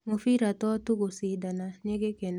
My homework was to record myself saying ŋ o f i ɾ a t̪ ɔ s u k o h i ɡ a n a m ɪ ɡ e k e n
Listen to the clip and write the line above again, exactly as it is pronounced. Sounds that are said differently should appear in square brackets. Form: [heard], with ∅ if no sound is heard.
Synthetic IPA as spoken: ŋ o f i ɾ a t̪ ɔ [t] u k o [s] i [d] a n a [ɲ] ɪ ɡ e k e n